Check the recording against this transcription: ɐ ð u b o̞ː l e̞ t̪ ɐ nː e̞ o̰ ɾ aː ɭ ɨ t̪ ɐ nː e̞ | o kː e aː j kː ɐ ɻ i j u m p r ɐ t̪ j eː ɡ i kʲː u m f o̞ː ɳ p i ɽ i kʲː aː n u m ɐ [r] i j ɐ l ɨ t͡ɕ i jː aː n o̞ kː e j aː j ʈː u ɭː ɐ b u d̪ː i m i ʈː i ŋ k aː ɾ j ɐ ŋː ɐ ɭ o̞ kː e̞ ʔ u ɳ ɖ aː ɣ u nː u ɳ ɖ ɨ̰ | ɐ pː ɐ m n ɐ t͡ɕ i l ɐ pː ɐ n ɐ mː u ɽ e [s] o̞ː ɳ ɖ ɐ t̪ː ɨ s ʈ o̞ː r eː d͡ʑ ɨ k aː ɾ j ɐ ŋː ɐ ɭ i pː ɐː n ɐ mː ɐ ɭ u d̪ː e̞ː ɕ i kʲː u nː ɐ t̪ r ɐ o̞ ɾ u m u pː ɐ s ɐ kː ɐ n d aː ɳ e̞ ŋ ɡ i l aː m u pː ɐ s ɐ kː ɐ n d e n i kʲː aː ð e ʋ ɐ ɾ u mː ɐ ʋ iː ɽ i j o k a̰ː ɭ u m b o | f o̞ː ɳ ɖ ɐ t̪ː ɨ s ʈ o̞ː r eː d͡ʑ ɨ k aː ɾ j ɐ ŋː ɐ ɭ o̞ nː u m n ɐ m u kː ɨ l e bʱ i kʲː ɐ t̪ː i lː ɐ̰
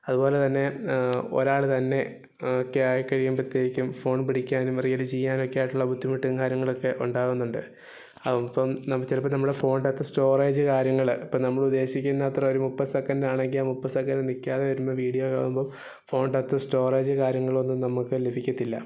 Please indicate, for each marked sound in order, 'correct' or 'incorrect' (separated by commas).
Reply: correct, incorrect